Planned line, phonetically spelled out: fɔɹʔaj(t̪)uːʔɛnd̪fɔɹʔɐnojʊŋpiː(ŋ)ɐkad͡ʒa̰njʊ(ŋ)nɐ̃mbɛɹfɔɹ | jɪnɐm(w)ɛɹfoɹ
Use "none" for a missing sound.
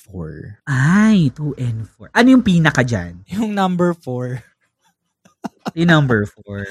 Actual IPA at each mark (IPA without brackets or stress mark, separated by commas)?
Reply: t̪, n, ŋ, b